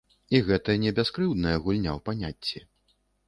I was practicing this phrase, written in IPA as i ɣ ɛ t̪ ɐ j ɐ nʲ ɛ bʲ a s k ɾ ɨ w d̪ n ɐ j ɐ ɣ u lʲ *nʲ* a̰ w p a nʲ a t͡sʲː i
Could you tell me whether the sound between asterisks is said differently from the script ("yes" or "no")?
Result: no